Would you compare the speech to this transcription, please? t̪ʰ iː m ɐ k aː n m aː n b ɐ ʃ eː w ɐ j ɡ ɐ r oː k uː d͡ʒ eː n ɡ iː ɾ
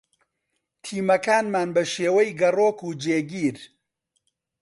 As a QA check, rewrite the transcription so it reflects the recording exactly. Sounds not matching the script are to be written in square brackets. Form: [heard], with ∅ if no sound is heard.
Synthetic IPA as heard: t̪ʰ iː m ɐ k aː n m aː n b ɐ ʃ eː w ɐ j ɡ ɐ r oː k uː d͡ʒ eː [∅] ɡ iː ɾ